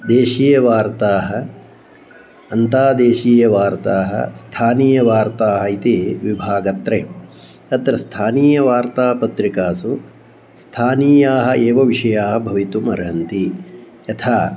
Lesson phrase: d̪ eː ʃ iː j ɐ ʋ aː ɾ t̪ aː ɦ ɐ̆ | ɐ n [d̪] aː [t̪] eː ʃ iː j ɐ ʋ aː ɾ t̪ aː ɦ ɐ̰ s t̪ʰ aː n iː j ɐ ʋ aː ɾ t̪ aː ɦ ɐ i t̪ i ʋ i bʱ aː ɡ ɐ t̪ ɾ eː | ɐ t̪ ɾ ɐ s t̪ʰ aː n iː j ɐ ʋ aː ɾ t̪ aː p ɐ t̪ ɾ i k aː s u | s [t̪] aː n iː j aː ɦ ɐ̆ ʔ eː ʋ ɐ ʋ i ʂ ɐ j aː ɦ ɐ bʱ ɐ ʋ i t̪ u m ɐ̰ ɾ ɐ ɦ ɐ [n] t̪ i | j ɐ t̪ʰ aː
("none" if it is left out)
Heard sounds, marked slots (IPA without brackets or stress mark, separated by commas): t̪, d̪, t̪ʰ, n